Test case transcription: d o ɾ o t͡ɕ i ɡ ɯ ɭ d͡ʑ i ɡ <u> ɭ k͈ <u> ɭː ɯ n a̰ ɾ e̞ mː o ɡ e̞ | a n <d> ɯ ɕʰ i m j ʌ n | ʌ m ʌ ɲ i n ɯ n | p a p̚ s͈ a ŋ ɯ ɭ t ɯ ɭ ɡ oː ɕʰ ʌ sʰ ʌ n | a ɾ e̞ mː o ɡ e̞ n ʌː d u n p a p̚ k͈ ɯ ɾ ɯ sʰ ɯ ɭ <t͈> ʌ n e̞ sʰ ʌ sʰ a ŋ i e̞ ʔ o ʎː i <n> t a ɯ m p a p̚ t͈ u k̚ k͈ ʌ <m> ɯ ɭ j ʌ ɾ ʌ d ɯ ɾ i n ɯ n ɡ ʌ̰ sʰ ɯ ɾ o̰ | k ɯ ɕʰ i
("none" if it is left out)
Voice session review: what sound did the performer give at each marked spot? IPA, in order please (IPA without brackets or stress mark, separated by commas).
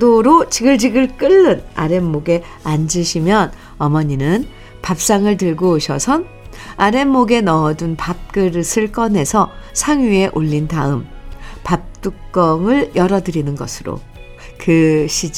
ɯ, ɯ, d͡ʑ, k͈, n, ŋ